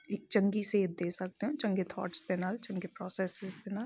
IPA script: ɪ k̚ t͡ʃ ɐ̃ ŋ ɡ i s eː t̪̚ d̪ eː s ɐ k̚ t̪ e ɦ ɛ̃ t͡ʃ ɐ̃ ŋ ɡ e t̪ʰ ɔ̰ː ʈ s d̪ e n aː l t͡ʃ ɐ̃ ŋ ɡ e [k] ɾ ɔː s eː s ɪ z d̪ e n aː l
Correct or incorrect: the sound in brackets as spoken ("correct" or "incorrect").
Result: incorrect